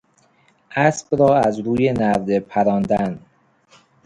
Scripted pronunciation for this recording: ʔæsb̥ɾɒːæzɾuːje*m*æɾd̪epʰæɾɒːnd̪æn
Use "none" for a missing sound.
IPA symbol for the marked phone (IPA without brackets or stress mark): n